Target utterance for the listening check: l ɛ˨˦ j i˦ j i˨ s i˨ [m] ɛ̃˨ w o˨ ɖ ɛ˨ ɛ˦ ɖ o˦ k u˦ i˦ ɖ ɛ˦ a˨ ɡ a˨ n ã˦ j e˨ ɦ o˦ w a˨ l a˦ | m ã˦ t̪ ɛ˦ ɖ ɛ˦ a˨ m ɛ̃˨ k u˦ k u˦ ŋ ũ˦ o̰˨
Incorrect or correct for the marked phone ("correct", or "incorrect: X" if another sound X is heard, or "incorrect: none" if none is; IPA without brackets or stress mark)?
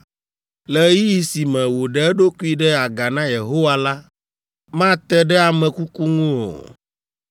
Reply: correct